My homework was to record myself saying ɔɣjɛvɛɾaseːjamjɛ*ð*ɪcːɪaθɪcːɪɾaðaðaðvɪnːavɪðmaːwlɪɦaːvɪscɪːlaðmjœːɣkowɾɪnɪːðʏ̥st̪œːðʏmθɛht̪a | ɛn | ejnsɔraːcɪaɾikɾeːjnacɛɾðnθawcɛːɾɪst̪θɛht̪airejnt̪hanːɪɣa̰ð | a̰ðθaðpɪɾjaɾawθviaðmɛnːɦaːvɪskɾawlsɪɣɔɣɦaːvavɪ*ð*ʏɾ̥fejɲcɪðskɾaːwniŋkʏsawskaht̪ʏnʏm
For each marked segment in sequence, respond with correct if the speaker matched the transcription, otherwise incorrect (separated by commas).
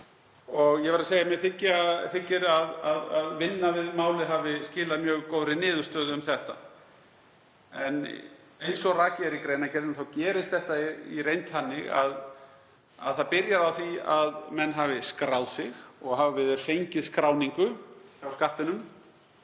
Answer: incorrect, correct